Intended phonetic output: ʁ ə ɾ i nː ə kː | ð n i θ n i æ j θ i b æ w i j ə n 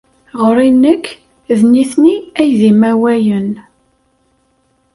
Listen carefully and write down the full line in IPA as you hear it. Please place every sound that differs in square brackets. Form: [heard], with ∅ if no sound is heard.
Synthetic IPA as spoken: ʁ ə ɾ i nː ə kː | ð n i θ n i æ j [ð] i [m] æ w [æ] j ə n